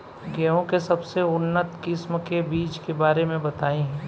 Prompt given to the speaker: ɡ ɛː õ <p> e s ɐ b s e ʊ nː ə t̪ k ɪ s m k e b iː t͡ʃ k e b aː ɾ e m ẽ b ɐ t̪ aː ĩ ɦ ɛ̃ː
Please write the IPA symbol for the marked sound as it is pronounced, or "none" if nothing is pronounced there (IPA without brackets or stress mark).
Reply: k